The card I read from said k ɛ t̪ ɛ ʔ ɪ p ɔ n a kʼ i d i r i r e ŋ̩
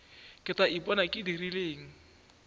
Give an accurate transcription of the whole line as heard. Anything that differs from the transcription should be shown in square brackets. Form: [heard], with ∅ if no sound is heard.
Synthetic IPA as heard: k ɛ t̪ [a] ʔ [i] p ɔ n a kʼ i d i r i [l] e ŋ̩